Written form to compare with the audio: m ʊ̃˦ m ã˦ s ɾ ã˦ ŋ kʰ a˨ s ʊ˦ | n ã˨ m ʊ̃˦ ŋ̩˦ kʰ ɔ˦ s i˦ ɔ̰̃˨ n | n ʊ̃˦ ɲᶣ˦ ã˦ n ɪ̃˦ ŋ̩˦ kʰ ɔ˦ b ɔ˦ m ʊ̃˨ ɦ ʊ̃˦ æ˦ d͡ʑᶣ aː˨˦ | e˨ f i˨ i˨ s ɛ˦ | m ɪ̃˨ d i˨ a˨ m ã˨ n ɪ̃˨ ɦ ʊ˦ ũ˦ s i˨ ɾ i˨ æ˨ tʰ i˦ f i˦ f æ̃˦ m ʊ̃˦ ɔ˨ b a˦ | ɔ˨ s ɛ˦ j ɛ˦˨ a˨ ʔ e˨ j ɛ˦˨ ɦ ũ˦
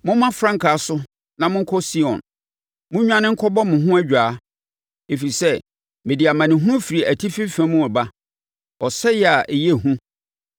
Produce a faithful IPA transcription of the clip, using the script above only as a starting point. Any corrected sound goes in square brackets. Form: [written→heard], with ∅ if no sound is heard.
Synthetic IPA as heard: m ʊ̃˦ m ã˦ [s→f] ɾ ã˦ ŋ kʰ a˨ s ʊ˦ | n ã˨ m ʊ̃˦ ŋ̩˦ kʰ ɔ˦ s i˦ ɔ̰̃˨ n | [n→m] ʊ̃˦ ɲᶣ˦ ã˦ n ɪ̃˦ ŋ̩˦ kʰ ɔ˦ b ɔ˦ m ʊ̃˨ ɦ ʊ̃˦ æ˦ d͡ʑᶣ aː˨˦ | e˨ f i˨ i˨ s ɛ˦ | m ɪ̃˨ d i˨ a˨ m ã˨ n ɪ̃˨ ɦ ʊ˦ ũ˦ [s→f] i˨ ɾ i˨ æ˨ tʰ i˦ f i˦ f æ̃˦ m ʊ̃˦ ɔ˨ b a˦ | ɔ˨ s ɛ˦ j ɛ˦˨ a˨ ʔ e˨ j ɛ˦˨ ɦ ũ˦